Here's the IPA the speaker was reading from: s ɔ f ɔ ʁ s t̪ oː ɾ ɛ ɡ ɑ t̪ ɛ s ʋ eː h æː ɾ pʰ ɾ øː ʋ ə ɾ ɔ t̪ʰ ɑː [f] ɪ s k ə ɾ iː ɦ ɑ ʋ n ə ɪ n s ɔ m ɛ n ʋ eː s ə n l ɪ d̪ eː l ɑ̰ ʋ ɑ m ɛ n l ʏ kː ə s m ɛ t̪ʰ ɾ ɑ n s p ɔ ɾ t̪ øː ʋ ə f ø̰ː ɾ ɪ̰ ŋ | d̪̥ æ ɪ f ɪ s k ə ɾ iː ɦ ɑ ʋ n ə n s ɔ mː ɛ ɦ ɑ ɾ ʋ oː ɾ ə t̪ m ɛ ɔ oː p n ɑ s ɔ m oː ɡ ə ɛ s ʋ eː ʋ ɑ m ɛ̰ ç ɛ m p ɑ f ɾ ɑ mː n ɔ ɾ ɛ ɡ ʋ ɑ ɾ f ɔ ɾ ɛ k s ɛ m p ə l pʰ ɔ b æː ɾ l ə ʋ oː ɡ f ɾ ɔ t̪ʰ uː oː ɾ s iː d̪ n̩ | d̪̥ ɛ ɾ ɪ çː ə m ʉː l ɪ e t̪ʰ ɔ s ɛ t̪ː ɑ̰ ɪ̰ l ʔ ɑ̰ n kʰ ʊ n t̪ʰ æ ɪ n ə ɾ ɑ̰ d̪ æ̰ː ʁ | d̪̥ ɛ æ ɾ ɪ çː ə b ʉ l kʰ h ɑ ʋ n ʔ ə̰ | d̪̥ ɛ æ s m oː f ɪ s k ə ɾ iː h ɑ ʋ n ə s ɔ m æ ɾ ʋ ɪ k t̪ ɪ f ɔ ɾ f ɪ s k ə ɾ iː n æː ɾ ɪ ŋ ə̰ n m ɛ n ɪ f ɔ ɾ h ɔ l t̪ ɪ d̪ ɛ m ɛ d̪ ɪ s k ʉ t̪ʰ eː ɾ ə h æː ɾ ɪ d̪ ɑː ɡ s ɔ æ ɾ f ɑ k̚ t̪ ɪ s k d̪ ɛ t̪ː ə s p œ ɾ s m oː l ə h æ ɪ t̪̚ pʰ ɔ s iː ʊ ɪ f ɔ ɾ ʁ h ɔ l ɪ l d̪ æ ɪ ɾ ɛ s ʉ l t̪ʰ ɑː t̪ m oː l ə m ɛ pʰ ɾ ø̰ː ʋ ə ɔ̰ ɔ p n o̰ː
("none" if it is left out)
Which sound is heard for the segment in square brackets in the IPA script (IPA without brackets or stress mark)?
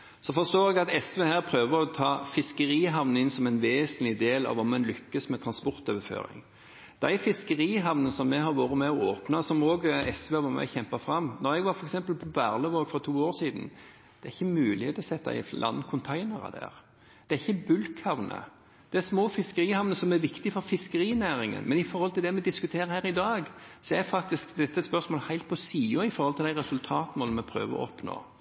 f